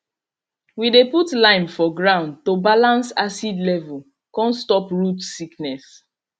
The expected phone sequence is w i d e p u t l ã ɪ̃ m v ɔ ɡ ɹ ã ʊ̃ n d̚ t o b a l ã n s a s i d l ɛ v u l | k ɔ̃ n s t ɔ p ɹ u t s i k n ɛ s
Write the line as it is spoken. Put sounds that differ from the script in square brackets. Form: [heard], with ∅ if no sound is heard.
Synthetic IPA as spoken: w i d e p u t l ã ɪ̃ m [f] ɔ ɡ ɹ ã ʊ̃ n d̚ t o b a l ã n s a s i d l ɛ v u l | k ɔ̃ n s t ɔ p ɹ u t s i k n ɛ s